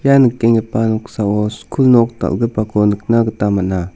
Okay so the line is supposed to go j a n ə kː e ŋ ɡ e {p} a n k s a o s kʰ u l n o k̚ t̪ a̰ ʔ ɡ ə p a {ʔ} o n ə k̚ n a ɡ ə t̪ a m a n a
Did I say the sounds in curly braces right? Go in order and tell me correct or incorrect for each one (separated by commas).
correct, incorrect